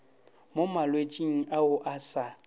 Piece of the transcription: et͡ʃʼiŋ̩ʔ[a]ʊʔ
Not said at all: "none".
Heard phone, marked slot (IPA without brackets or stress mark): a